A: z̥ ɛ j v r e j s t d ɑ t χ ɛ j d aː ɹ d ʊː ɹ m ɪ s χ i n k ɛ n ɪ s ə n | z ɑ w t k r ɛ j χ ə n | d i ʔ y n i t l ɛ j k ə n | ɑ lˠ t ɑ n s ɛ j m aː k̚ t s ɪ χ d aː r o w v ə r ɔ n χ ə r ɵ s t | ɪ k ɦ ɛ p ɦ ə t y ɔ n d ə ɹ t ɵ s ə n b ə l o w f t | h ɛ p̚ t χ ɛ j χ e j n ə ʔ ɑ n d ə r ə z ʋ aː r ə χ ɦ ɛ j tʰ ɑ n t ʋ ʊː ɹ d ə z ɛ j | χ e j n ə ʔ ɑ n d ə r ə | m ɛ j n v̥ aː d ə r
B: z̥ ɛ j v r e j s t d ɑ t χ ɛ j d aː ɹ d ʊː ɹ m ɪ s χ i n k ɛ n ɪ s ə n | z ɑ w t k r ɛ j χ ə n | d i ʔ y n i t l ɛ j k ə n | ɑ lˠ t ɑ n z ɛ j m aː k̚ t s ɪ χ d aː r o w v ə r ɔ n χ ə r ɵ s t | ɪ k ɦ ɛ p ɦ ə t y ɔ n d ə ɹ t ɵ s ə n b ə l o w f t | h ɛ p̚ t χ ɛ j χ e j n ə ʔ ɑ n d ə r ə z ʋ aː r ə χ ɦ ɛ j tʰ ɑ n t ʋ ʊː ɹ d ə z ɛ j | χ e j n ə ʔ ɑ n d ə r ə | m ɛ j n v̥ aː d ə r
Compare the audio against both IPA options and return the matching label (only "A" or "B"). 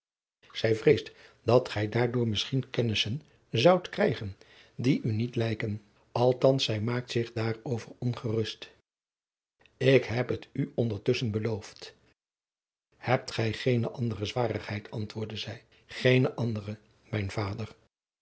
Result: A